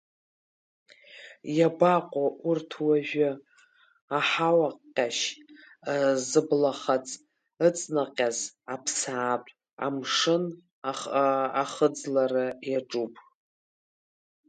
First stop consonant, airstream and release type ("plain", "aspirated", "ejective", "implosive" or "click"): plain